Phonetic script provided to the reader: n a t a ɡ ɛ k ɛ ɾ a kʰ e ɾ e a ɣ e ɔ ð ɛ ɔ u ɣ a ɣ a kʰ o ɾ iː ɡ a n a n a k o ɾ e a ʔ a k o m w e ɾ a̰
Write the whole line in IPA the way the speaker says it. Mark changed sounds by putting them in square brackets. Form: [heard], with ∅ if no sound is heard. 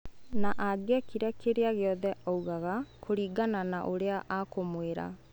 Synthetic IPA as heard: n a [ʔ] a ɡ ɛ k [i] ɾ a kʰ e ɾ e a ɣ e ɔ ð ɛ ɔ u ɣ a ɣ a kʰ o ɾ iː ɡ a n a n a [ʔ] o ɾ e a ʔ a k o m w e ɾ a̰